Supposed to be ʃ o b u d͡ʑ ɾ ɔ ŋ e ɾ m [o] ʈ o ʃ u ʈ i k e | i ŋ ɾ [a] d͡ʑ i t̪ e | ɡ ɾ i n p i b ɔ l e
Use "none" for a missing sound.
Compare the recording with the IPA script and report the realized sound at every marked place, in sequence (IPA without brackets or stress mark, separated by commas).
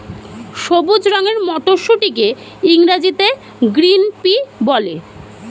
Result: ɔ, a